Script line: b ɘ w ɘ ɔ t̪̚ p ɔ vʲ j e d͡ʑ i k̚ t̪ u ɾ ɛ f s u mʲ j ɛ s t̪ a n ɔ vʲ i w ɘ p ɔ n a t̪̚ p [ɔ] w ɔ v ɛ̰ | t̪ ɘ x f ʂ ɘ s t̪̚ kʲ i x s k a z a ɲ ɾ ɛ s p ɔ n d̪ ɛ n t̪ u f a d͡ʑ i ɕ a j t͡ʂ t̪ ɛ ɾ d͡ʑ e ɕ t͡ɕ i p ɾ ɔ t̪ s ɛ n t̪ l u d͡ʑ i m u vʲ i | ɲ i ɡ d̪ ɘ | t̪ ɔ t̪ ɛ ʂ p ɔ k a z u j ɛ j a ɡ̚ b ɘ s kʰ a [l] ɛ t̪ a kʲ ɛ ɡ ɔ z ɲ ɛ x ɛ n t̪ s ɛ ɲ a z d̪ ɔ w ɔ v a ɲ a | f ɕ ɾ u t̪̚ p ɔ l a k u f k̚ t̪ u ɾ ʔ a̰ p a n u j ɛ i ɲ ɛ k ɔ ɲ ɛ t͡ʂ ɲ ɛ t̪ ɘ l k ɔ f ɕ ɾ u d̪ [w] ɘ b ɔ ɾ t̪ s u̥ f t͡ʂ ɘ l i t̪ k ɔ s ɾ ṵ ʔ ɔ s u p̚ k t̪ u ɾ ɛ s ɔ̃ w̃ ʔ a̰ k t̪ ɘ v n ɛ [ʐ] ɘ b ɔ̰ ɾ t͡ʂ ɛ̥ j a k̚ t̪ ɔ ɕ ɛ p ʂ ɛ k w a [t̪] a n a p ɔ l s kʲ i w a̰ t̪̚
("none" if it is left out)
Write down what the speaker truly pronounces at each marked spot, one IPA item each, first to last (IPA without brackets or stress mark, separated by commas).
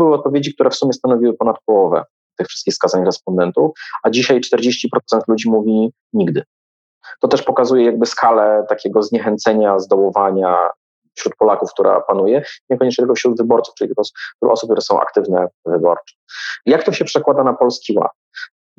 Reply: ɔ, l, v, v, d̪